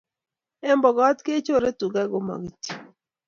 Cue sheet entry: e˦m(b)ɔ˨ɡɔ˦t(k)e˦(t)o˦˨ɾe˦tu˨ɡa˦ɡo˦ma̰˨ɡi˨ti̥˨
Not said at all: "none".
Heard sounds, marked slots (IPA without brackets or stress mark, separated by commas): b, k, t͡ʃ